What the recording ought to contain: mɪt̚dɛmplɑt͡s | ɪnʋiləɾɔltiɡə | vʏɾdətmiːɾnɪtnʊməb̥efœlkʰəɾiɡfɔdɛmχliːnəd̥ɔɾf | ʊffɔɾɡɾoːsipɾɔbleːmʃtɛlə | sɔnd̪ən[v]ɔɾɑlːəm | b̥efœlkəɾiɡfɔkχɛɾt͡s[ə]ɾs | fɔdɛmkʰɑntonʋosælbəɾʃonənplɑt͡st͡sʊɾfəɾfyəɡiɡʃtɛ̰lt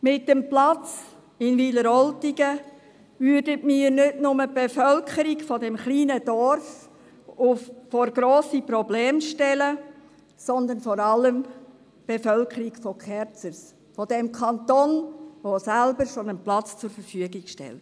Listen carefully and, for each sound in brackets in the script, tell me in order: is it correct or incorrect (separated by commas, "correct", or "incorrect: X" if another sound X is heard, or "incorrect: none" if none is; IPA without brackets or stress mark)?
incorrect: f, correct